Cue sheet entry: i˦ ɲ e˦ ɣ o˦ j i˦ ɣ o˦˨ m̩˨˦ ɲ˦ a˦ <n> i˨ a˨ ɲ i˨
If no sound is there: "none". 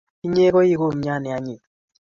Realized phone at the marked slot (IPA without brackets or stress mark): n